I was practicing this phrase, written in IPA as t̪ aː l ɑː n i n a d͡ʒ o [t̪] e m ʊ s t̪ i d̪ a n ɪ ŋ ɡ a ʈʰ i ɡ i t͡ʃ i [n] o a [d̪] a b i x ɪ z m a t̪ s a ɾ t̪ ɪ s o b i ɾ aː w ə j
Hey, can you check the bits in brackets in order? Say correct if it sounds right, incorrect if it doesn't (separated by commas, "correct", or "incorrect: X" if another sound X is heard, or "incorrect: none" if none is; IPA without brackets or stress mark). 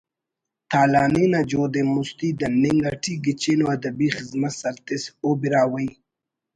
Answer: incorrect: d̪, correct, correct